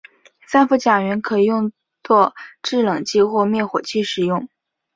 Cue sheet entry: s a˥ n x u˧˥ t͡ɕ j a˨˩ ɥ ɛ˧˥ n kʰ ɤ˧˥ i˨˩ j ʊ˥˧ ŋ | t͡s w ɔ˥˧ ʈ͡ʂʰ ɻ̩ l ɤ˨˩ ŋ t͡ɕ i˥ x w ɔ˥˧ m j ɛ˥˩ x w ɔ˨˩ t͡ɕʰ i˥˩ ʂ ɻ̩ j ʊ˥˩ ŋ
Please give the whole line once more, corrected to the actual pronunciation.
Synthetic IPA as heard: s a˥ n f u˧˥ t͡ɕ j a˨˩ ɥ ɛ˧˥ n kʰ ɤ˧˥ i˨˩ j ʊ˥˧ ŋ | t͡s w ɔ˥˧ ʈ͡ʂ ɻ̩ l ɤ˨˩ ŋ t͡ɕ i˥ x w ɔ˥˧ m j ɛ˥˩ x w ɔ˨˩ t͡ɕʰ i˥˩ ʂ ɻ̩ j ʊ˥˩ ŋ